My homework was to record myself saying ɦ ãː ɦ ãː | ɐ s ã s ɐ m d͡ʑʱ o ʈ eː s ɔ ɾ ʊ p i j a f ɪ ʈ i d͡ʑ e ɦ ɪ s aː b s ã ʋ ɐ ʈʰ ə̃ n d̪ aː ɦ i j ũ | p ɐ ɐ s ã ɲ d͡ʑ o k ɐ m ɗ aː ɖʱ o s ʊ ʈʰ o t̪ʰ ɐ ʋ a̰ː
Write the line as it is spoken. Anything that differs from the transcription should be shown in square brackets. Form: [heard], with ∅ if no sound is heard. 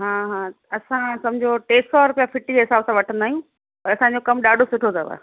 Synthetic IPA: ɦ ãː ɦ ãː | ɐ s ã s ɐ m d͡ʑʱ o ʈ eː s ɔ ɾ ʊ p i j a f ɪ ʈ i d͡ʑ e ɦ ɪ s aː b s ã ʋ ɐ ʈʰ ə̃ n d̪ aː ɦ i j ũ | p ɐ ɐ s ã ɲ d͡ʑ o k ɐ m ɗ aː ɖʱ o s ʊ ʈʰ o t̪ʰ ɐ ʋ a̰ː